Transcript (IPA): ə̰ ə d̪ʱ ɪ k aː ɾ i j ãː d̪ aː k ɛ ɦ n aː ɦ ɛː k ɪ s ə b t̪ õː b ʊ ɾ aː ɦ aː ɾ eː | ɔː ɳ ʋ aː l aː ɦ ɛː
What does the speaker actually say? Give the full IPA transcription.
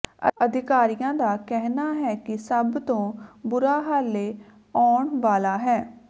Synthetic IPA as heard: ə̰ ə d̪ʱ ɪ k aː ɾ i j ãː d̪ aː k ɛ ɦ n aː ɦ ɛː k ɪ s ə b t̪ õː b ʊ ɾ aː ɦ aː l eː | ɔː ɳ ʋ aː l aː ɦ ɛː